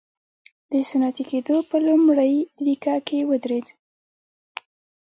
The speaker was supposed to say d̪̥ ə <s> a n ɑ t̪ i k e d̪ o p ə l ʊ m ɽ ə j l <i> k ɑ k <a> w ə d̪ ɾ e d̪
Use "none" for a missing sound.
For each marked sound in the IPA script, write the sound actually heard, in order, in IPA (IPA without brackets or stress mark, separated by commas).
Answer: s, i, e